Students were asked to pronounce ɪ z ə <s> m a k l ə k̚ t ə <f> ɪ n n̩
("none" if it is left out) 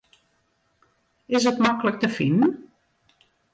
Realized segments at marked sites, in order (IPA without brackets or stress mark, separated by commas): t, f